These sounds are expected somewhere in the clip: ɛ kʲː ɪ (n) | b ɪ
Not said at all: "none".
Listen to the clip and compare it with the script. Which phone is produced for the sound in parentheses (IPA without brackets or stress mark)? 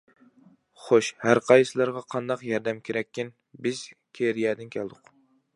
n